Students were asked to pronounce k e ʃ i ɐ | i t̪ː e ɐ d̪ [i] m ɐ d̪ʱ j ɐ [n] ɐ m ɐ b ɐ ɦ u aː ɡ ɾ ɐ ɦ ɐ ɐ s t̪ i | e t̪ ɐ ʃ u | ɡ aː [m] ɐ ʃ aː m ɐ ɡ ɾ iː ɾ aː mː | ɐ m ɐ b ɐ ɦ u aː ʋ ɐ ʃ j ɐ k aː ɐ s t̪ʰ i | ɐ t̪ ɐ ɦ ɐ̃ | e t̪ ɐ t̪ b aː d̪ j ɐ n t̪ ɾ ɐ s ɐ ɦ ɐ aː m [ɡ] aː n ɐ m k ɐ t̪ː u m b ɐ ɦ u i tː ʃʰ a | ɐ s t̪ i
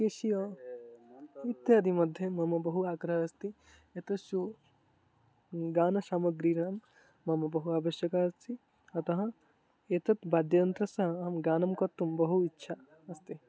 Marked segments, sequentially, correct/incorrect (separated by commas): correct, incorrect, incorrect, correct